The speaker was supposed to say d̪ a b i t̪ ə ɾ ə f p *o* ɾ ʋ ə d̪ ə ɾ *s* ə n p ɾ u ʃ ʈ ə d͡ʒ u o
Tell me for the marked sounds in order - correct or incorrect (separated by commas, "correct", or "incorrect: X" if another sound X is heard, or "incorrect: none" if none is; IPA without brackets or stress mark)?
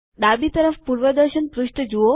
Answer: incorrect: u, incorrect: ʃ